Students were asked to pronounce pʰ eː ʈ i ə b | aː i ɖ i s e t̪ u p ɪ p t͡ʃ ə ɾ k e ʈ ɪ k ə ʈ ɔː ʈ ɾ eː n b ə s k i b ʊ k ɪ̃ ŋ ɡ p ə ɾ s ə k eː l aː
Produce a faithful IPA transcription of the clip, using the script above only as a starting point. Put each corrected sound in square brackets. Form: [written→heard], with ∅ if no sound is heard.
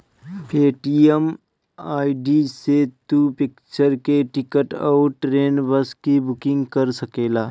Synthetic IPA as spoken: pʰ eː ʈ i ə [b→m] | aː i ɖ i s e t̪ u p ɪ [p→k] t͡ʃ ə ɾ k e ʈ ɪ k ə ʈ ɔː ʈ ɾ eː n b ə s k i b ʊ k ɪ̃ ŋ ɡ [p→k] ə ɾ s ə k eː l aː